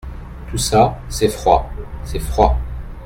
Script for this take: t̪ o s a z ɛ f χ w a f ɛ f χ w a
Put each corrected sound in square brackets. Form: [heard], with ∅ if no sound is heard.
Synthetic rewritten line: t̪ [u] s a [s] ɛ f χ w a [s] ɛ f χ w a